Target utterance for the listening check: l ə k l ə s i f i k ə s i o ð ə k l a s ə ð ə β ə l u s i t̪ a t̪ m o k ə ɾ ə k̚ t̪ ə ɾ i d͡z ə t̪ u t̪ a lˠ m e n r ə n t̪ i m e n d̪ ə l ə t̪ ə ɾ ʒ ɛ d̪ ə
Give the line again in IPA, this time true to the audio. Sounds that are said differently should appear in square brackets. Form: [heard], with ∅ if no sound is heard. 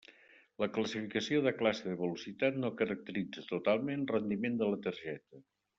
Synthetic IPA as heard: l ə k l ə s i f i k ə s i o ð ə k l a s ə ð ə β ə l u s i t̪ a t̪ [n] o k ə ɾ ə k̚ t̪ ə ɾ i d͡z ə t̪ u t̪ a lˠ m e n r ə n [d̪] i m e n d̪ ə l ə t̪ ə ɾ ʒ ɛ [t̪] ə